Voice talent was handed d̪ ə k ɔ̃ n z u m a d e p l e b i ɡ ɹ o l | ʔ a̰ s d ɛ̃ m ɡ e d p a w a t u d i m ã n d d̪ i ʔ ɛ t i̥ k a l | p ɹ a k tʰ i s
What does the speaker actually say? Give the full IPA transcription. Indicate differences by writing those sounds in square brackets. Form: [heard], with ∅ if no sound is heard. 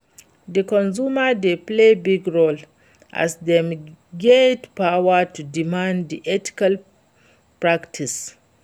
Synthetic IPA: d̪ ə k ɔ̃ n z u m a d e p l e b i ɡ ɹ o l | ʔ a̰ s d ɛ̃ m ɡ e d p a w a t u d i m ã n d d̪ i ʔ ɛ t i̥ k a l | p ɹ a k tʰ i s